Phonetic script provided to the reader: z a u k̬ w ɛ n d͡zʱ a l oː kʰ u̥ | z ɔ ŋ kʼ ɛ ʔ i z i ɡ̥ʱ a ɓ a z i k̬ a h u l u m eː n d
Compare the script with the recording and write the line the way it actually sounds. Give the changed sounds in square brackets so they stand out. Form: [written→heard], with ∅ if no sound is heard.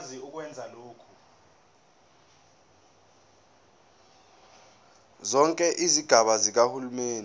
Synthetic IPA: z [a→i] u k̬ w ɛ n d͡zʱ a l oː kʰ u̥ | z ɔ ŋ kʼ ɛ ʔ i z i ɡ̥ʱ a ɓ a z i k̬ a h u l u m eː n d